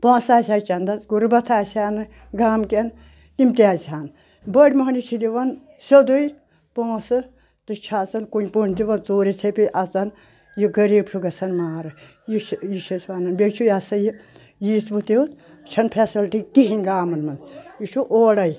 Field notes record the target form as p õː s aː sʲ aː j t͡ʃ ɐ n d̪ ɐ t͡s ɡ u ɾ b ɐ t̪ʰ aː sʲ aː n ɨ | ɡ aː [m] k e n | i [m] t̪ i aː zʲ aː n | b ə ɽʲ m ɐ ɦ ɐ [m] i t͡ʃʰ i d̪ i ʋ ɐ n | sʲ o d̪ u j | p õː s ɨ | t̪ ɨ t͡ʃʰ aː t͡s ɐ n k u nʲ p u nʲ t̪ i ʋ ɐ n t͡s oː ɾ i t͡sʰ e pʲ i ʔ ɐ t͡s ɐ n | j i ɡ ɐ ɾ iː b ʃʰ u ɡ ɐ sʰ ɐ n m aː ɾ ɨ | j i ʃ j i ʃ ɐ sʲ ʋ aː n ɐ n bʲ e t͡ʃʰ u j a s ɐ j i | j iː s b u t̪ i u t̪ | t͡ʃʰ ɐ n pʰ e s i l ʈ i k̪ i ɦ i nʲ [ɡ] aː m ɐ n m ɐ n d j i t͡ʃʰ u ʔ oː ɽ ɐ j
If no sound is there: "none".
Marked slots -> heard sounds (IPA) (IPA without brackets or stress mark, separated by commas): m, m, n, ɡ